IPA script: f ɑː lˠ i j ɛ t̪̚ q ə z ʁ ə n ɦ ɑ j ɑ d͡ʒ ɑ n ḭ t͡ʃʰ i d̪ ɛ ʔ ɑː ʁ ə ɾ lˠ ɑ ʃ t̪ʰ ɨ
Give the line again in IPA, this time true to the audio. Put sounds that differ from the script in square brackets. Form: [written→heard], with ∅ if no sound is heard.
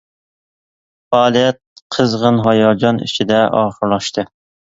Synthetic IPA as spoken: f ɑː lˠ i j ɛ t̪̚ [q→qʰ] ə z ʁ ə n ɦ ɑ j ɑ d͡ʒ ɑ n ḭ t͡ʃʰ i d̪ ɛ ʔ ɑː [ʁ→χ] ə ɾ lˠ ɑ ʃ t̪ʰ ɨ